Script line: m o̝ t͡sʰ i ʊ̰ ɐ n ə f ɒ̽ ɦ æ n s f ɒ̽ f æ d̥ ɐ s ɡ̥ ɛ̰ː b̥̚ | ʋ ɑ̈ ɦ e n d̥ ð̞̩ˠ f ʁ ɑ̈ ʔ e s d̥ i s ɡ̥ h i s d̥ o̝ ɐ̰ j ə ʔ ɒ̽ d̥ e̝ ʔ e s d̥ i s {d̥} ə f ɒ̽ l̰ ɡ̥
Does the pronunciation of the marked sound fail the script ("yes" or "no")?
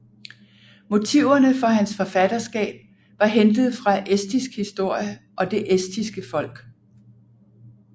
yes